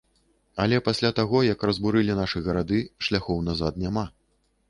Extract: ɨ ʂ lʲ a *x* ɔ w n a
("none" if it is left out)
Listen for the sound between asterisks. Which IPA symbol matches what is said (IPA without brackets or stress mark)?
x